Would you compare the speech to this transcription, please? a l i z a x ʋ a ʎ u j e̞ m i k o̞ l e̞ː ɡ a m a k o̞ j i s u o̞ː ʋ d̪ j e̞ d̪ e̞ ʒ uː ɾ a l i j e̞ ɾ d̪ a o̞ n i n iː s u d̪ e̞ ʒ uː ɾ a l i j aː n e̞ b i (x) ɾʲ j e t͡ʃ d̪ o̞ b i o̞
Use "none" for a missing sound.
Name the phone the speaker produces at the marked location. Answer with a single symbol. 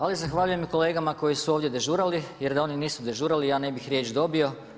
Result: x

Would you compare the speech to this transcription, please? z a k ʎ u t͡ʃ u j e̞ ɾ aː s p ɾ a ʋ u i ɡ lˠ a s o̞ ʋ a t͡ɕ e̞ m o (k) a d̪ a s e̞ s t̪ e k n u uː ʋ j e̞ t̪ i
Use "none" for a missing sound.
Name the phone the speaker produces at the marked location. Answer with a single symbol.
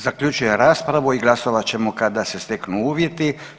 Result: k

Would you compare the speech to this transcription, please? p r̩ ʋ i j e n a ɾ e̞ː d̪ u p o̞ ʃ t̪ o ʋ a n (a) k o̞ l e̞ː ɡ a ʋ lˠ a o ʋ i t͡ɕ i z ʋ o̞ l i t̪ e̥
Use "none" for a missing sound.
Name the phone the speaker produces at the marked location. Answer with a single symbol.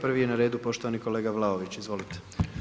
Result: i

